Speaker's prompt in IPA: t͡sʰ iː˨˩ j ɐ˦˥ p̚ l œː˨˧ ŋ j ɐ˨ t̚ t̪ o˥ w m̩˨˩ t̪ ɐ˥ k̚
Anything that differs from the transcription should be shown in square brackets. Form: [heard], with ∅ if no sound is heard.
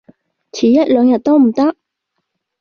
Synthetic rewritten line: t͡sʰ iː˨˩ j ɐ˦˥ [t̚] l œː˨˧ ŋ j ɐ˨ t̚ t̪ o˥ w m̩˨˩ t̪ ɐ˥ k̚